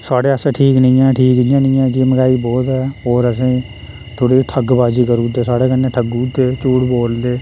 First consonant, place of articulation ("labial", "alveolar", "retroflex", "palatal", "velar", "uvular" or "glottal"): alveolar